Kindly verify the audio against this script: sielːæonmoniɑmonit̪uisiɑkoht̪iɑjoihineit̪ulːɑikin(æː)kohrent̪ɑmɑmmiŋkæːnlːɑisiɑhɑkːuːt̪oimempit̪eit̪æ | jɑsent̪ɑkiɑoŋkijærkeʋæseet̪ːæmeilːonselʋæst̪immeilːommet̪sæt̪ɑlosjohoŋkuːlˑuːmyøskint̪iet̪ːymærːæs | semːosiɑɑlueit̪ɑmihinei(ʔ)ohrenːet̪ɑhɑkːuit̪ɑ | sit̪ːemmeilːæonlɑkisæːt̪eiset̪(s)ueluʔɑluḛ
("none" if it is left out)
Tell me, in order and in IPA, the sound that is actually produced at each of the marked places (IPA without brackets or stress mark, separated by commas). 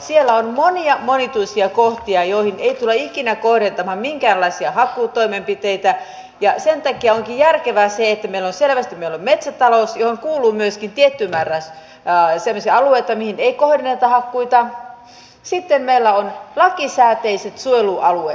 æ, k, s